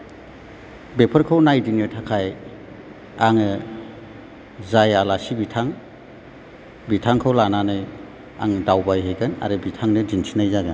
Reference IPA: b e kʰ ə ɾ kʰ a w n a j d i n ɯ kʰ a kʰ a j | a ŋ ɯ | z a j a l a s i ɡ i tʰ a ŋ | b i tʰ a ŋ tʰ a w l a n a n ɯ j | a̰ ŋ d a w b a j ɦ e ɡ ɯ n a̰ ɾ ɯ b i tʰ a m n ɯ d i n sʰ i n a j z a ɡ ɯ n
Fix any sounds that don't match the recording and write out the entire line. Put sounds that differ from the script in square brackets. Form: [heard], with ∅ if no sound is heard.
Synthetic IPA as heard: b e [pʰ] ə ɾ kʰ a w n a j d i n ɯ [tʰ] a kʰ a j | a ŋ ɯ | z a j a l a s i [b] i tʰ a ŋ | b i tʰ a ŋ [kʰ] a w l a n a n ɯ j | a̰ ŋ d a w b a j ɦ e ɡ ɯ n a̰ ɾ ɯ b i tʰ a [ŋ] n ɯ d i n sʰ i n a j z a ɡ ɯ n